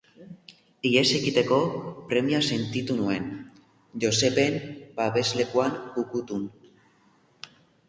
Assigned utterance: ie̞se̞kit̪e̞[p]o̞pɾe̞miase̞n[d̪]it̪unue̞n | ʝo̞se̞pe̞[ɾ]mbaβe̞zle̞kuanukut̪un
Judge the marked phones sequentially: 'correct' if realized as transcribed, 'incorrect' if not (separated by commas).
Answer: incorrect, incorrect, incorrect